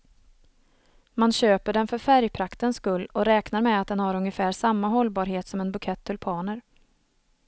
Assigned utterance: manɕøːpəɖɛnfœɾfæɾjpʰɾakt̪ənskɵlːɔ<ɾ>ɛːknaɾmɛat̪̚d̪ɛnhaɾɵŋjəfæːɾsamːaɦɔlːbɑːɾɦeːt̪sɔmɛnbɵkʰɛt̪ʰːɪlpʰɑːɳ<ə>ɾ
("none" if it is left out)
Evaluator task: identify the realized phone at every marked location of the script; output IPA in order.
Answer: ɾ, ə

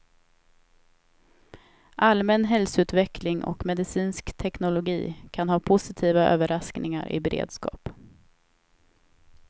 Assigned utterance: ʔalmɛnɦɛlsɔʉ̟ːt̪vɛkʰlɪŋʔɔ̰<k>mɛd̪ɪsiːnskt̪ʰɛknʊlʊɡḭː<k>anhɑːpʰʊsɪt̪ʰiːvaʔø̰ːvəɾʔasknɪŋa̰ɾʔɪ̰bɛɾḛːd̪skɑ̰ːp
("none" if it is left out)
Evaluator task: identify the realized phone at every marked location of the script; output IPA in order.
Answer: k, kʰ

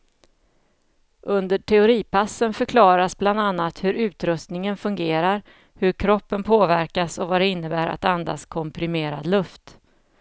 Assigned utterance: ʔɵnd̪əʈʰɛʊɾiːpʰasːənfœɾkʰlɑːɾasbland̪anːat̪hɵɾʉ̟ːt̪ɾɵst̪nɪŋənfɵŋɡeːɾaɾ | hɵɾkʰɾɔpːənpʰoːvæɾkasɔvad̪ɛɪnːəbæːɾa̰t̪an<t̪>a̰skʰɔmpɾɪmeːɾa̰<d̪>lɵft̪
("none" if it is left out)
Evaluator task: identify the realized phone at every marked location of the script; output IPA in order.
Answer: d̪, d̪

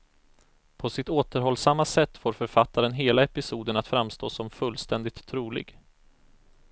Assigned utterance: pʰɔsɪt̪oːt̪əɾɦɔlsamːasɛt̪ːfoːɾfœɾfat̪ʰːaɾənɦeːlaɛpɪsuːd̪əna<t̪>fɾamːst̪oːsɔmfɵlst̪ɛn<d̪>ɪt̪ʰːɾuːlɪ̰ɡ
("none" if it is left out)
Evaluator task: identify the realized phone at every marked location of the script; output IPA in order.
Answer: t̪, d̪

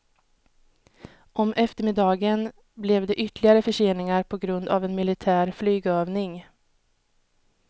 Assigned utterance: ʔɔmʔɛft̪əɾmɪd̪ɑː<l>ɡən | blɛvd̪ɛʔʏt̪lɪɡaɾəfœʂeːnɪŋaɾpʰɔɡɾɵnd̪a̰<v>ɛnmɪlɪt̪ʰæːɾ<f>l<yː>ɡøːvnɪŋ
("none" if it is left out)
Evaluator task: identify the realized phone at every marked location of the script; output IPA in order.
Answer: none, v, f, yː

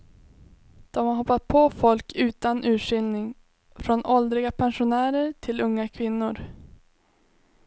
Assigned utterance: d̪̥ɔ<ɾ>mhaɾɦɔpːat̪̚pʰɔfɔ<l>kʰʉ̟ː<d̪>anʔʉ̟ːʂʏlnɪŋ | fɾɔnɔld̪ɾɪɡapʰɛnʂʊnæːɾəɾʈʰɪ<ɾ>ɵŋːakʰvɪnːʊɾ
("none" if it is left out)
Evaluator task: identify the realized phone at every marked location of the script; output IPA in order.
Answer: none, l, t̪, l

